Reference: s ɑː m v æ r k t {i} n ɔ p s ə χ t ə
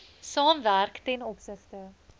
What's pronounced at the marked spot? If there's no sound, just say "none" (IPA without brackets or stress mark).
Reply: ɛ